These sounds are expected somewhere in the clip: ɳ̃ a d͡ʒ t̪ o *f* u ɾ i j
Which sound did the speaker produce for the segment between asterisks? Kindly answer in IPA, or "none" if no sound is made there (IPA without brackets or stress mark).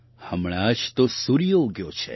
s